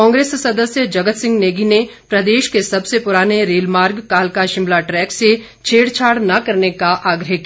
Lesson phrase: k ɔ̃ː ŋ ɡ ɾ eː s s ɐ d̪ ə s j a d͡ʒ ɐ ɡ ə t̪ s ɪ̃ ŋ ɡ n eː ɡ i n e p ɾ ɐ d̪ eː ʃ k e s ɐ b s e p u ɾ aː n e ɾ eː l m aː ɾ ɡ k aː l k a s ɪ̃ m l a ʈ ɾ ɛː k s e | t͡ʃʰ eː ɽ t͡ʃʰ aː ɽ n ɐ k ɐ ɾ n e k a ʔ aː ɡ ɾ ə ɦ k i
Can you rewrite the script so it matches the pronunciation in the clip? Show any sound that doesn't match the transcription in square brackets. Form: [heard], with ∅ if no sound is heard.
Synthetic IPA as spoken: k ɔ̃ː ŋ ɡ ɾ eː s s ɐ d̪ ə s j [ə] d͡ʒ ɐ ɡ ə t̪ s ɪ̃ ŋ ɡ n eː ɡ i n e p ɾ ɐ d̪ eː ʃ k e s ɐ b s e p [ʊ] ɾ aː n e ɾ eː l m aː ɾ ɡ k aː l k a [ʃ] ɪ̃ m l a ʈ ɾ ɛː k s e | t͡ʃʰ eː ɽ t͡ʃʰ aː ɽ n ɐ k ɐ ɾ n e k a ʔ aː ɡ ɾ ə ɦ k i